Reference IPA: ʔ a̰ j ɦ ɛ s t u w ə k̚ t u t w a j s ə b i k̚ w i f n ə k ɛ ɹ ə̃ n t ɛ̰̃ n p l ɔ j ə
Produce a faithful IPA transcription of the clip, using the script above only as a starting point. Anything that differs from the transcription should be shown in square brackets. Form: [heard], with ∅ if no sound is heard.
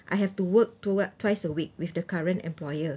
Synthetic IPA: ʔ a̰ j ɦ ɛ [f] t u w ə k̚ t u t w a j s ə [w] i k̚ w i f [d] ə k [a] ɹ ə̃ n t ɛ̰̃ [m] p l ɔ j ə